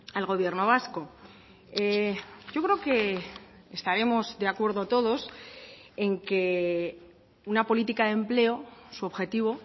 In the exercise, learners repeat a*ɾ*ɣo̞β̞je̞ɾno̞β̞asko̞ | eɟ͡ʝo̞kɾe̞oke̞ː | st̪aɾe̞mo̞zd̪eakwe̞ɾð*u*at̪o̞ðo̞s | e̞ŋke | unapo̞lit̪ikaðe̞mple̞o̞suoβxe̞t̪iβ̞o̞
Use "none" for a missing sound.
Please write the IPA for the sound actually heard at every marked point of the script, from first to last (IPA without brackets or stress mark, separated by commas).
l, o